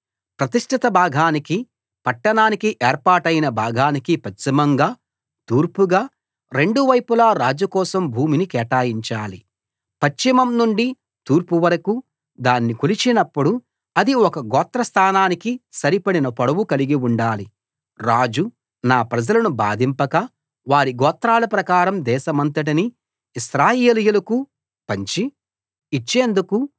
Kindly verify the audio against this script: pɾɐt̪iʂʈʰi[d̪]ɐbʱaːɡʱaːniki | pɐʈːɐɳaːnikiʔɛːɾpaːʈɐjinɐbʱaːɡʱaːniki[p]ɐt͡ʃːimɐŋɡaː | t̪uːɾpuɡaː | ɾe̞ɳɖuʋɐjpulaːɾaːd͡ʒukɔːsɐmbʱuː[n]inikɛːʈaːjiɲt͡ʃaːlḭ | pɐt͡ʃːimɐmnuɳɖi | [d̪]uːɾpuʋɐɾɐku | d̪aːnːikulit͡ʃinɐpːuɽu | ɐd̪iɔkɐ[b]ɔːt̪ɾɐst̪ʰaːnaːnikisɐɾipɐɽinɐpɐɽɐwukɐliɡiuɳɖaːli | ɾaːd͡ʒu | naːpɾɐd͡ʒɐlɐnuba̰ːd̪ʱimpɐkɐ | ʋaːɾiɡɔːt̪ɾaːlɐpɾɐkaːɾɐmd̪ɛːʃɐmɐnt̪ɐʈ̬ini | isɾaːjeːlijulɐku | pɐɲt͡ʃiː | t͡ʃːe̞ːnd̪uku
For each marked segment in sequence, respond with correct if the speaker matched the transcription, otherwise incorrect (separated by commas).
incorrect, correct, incorrect, incorrect, incorrect